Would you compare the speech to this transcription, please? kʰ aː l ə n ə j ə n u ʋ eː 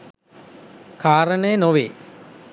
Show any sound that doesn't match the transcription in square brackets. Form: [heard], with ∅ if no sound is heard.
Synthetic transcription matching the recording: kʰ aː [ɾ] ə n ə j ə n [o] ʋ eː